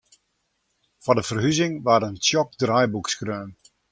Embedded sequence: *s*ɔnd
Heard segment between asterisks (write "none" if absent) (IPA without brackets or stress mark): f